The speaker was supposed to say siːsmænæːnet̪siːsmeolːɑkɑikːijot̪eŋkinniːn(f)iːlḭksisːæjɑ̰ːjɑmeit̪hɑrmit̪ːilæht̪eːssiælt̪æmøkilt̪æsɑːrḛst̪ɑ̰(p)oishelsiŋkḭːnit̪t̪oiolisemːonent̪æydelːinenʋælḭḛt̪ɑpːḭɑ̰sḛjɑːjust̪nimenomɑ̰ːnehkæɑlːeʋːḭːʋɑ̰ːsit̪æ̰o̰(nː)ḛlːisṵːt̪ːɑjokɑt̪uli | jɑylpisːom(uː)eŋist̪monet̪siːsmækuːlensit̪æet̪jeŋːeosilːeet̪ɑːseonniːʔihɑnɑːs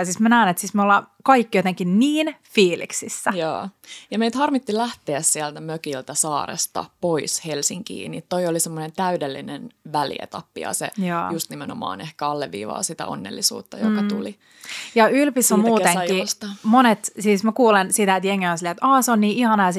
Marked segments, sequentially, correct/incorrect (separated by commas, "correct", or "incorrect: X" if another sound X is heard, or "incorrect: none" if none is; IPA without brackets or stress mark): correct, correct, correct, correct